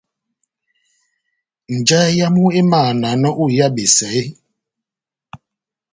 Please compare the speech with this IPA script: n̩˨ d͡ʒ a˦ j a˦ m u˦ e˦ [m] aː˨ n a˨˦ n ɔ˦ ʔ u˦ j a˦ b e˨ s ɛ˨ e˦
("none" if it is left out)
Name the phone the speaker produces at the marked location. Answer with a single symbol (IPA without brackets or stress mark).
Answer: m